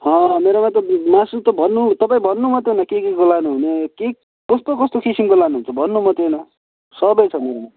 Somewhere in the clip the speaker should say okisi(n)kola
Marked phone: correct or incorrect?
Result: incorrect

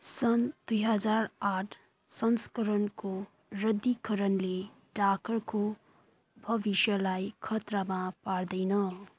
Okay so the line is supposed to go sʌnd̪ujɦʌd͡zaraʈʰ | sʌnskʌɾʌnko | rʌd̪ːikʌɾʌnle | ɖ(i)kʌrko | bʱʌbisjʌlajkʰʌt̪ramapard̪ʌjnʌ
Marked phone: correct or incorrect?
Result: incorrect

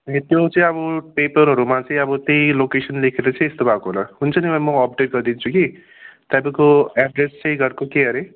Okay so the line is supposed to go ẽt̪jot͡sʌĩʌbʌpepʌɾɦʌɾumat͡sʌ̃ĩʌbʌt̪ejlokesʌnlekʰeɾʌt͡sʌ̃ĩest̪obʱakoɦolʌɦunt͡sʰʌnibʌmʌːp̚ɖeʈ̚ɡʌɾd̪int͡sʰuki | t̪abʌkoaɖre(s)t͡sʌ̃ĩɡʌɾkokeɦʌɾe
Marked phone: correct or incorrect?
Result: correct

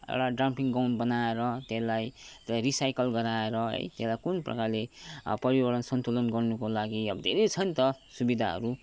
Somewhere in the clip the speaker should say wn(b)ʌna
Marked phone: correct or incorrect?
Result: correct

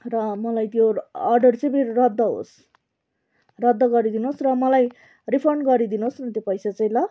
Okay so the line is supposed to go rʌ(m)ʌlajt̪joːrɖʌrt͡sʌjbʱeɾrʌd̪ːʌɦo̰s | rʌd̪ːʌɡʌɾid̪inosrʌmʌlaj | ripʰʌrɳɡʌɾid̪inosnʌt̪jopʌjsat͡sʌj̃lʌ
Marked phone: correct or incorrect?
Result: correct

